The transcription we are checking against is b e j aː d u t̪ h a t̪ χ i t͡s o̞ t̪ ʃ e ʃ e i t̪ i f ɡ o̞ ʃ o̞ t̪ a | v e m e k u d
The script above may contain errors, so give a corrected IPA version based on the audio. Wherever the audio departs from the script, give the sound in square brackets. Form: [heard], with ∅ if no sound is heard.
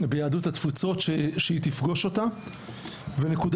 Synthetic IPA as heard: b e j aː d u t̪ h a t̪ [f] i t͡s o̞ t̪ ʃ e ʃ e i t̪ i f ɡ o̞ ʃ o̞ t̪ a | v e [n] e k u d